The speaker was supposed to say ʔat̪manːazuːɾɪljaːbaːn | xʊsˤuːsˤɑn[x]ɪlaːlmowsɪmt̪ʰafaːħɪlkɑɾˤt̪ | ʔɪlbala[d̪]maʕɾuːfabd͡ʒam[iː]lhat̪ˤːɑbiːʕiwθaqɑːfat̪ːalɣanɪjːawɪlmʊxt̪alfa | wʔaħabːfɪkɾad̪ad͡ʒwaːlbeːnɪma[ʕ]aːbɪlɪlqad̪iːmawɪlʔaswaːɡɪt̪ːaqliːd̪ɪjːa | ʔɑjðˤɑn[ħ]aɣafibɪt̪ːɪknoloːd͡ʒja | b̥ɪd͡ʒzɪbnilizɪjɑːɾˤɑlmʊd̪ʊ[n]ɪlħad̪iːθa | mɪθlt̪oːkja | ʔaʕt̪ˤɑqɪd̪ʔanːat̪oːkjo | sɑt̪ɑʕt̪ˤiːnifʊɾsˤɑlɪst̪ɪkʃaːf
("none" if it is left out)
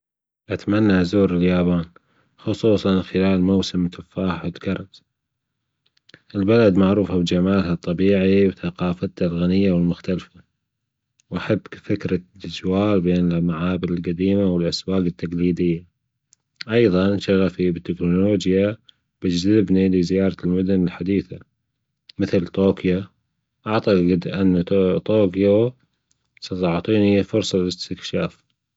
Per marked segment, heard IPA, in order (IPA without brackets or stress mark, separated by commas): x, d̪, aː, ʕ, ʃ, n